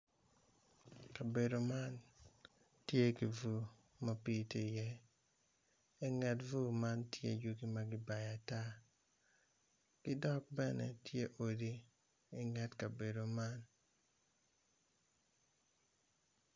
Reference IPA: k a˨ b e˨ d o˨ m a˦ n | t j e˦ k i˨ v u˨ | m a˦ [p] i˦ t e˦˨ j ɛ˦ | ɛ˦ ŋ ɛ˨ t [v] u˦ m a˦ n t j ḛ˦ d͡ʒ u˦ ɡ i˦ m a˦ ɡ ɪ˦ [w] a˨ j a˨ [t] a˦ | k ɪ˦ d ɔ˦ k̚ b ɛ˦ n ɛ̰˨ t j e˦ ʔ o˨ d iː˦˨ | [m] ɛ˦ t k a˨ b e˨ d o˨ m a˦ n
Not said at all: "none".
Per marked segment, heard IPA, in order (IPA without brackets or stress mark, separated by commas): p, v, b, t, ŋ